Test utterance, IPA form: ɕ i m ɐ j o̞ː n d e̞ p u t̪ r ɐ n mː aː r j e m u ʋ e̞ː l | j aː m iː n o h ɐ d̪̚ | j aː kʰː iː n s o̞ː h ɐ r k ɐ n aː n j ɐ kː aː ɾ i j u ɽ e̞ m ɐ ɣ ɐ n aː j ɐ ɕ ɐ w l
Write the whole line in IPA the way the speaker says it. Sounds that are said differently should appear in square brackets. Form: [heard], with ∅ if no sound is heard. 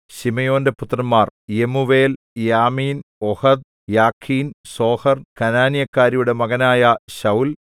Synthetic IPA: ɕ i m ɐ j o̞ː n d e̞ p u t̪ r ɐ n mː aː r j e m u ʋ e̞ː l | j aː m iː n o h ɐ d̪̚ | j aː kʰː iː n s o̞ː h ɐ r k ɐ n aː n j ɐ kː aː ɾ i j u ɽ e̞ m ɐ ɣ ɐ n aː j ɐ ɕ ɐ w l